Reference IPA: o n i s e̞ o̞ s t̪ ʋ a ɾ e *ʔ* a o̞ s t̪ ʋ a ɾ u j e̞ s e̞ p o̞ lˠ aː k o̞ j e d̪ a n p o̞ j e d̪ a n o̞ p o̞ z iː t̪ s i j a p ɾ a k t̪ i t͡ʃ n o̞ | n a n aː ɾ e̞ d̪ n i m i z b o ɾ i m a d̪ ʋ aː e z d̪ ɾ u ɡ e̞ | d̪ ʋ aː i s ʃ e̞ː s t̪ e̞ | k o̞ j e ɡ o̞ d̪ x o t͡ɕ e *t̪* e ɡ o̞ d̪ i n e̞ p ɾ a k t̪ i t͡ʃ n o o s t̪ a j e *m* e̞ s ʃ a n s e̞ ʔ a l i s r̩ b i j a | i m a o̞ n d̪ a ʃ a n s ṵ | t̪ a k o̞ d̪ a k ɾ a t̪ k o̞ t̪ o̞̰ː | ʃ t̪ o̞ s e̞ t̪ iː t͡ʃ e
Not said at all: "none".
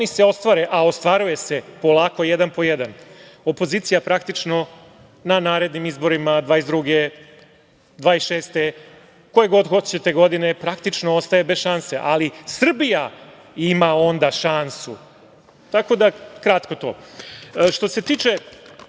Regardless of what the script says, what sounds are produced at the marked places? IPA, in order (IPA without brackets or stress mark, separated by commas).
ʔ, t̪, b